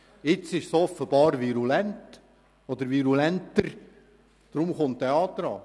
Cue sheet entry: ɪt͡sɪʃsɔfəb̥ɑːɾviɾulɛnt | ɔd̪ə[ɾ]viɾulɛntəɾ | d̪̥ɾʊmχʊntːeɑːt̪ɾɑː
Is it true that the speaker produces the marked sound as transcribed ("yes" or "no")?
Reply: yes